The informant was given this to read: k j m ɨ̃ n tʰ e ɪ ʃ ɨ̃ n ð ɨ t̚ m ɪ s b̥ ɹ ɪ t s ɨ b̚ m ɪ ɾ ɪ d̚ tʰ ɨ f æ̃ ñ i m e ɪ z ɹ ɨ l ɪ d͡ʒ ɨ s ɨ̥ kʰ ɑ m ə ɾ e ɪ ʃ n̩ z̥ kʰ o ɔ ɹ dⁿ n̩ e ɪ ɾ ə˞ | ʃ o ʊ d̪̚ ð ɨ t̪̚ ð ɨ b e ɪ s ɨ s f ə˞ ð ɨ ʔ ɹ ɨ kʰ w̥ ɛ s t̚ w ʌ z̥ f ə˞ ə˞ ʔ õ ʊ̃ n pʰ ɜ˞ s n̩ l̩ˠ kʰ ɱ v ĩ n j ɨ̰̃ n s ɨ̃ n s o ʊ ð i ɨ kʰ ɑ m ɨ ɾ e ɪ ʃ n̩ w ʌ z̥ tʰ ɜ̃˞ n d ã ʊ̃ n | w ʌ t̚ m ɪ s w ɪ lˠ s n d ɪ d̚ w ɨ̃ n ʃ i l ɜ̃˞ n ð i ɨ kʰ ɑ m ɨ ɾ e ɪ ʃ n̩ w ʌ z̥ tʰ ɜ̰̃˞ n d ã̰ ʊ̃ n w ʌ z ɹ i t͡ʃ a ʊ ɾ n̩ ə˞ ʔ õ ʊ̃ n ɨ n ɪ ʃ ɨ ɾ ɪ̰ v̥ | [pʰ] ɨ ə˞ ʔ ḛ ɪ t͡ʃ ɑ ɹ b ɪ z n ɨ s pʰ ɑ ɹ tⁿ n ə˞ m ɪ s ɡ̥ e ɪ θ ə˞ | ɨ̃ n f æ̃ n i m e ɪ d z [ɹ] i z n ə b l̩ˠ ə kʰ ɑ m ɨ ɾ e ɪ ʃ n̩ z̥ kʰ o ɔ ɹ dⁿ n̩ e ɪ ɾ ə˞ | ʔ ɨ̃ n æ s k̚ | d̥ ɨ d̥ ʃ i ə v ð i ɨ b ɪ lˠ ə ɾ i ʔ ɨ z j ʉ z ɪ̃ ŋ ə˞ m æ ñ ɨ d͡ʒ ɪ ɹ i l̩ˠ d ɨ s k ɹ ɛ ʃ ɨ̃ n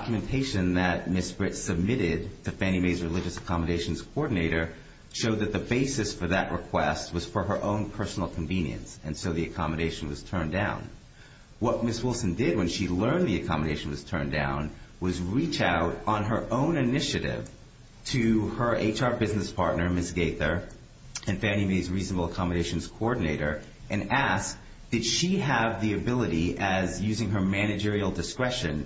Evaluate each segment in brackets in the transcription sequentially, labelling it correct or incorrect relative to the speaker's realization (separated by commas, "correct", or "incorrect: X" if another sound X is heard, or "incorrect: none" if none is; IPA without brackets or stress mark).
incorrect: tʰ, correct